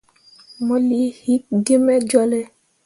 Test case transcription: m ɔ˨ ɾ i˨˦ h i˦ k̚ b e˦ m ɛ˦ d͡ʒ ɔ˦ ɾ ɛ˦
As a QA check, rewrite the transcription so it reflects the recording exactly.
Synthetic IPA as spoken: m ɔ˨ l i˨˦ h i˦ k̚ ɡ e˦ m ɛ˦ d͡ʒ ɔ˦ l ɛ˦